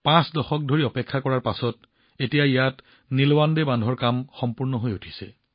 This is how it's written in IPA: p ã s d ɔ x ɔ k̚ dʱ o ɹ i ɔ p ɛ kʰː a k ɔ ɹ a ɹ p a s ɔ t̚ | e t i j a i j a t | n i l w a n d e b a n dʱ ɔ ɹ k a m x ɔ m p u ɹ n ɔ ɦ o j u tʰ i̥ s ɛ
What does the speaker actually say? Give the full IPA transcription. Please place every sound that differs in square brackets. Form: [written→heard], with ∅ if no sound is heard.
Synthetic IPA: p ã s d ɔ x ɔ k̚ dʱ o ɹ i ɔ p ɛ kʰː a k ɔ ɹ a ɹ p a s ɔ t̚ | e t i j a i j a t | n i l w a n d e b a n dʱ ɔ ɹ k a m x ɔ m p u ɹ n ɔ ɦ o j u tʰ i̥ s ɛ